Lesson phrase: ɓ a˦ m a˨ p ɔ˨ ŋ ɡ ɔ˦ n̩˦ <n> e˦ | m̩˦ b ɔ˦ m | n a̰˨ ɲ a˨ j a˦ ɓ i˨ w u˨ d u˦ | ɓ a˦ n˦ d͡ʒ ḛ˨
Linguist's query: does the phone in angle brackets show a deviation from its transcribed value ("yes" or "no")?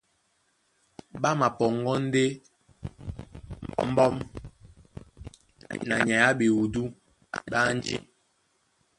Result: yes